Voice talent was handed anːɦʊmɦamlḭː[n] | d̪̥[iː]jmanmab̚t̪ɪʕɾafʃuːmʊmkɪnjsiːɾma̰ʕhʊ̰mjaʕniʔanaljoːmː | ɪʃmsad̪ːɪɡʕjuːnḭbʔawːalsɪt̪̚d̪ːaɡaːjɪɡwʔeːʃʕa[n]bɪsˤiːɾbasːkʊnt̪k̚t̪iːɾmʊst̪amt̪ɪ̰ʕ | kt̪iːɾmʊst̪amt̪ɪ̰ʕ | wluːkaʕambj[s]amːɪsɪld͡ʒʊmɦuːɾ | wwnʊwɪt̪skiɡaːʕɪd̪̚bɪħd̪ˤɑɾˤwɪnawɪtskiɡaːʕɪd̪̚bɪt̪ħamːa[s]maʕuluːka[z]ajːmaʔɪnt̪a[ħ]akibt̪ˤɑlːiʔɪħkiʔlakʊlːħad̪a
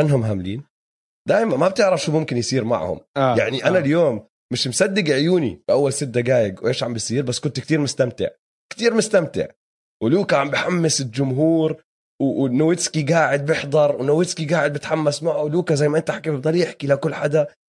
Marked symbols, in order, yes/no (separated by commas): yes, no, no, no, yes, yes, yes